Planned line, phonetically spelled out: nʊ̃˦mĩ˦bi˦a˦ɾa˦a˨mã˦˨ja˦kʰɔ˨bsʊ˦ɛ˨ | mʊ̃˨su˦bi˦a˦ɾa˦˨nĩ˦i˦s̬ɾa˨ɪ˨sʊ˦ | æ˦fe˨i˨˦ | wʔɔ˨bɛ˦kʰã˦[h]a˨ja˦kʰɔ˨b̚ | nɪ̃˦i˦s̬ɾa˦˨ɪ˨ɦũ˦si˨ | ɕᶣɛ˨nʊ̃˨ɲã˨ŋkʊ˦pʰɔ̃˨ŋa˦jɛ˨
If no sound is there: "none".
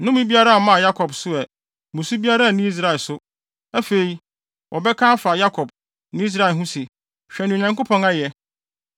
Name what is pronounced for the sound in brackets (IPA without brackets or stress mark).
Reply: f